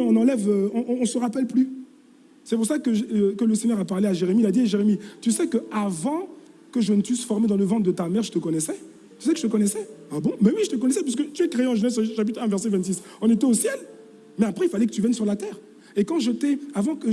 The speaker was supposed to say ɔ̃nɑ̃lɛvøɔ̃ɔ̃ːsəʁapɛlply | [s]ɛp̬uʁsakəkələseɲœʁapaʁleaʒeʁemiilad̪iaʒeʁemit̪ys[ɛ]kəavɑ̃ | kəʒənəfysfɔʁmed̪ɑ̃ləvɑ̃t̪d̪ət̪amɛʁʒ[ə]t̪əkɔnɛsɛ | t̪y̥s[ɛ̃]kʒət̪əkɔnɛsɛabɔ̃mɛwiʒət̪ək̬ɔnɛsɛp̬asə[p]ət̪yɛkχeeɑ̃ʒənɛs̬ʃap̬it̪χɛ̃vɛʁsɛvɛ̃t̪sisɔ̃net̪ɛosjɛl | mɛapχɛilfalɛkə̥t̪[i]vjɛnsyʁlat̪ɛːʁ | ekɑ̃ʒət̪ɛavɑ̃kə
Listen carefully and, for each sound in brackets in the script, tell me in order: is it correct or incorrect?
correct, correct, correct, incorrect: ɛ, incorrect: k, incorrect: y

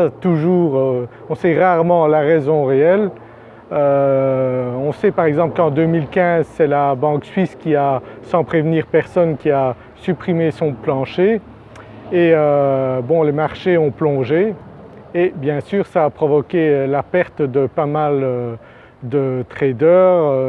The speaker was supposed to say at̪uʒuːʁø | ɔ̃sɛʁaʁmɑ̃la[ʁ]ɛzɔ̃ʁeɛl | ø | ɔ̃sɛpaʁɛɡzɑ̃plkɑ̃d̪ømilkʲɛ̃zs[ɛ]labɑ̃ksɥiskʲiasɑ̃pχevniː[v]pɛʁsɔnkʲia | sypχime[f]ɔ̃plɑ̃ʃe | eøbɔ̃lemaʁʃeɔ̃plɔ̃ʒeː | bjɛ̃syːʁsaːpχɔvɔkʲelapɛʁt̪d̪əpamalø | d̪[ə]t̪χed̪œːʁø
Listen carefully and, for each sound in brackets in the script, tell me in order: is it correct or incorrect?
correct, correct, incorrect: ʁ, incorrect: s, correct

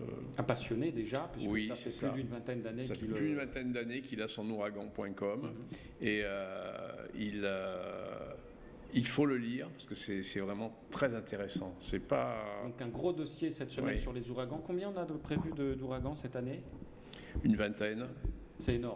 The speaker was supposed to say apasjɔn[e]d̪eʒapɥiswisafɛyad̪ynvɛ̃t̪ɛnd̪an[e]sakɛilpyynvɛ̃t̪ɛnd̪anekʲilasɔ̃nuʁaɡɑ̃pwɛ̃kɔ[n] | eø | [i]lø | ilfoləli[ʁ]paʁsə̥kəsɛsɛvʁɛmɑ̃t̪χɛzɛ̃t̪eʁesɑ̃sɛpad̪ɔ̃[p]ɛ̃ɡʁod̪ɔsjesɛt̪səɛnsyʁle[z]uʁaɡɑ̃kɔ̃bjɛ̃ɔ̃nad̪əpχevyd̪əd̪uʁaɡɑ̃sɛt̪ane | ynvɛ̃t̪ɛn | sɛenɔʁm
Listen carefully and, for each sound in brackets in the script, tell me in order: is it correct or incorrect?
correct, correct, incorrect: m, correct, correct, incorrect: k, correct

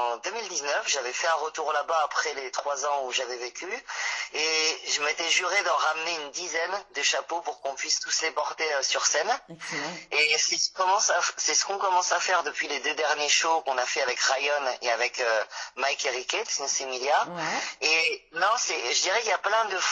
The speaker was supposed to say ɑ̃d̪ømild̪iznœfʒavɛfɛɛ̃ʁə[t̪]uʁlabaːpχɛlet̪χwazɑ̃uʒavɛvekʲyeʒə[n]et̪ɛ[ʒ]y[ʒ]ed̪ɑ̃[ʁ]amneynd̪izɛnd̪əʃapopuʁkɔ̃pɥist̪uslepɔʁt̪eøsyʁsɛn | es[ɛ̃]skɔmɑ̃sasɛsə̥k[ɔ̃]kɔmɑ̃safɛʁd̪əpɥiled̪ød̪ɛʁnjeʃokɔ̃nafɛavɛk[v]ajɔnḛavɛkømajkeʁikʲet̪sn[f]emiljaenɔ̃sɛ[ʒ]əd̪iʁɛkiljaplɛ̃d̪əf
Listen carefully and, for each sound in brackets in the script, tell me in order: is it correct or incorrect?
correct, incorrect: m, correct, incorrect: ʁ, correct, incorrect: ɛ, correct, incorrect: ʁ, incorrect: s, correct

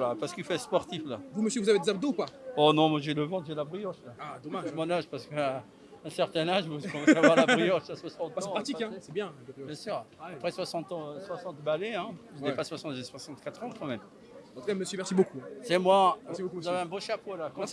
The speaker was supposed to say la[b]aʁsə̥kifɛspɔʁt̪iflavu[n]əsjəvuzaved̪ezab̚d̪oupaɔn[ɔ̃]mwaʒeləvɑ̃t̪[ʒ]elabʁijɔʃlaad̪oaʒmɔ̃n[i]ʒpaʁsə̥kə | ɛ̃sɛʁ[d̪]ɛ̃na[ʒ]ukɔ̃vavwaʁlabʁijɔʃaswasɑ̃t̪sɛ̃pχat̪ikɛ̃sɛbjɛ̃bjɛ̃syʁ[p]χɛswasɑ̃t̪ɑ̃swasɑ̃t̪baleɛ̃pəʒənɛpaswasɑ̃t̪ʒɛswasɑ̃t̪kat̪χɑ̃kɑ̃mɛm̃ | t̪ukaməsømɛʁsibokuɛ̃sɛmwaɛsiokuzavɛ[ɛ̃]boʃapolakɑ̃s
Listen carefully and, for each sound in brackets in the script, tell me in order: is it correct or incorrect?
incorrect: p, incorrect: m, correct, correct, incorrect: a, incorrect: t̪, correct, correct, correct

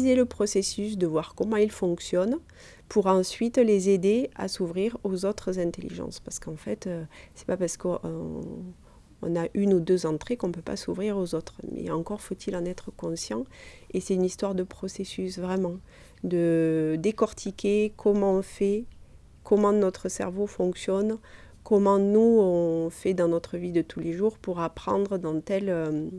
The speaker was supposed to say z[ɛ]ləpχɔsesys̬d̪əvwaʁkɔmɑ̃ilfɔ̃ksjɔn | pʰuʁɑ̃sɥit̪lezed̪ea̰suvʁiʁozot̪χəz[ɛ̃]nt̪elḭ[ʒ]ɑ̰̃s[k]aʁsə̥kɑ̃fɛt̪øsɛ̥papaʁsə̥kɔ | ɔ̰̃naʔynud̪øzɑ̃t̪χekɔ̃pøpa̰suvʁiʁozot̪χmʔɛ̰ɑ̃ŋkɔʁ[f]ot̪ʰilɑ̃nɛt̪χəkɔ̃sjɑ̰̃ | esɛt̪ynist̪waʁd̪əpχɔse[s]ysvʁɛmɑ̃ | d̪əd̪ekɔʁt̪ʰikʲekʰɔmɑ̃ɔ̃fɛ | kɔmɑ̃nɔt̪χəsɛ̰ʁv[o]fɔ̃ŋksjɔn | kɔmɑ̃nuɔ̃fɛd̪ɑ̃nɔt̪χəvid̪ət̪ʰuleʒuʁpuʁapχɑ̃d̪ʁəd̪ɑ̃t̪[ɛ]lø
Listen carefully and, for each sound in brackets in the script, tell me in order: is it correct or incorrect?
incorrect: e, correct, correct, incorrect: p, correct, correct, correct, correct

